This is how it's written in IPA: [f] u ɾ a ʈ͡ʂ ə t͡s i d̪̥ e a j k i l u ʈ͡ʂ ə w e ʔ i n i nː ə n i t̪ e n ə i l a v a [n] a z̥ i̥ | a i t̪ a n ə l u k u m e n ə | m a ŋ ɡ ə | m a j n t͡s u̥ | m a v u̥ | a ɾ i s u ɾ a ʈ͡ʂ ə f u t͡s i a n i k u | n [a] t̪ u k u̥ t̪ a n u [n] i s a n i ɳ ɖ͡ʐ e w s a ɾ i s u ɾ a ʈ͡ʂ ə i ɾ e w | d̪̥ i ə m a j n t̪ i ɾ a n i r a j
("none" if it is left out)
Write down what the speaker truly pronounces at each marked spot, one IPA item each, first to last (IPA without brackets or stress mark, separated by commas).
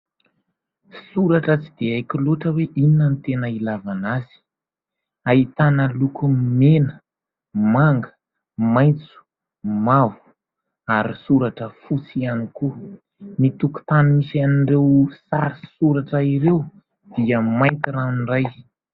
s, n, i, m